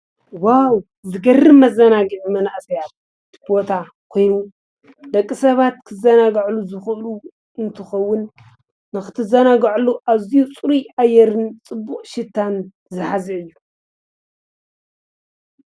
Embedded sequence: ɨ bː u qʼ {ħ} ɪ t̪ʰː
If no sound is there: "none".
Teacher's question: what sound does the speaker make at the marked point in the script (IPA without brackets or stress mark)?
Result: ʃ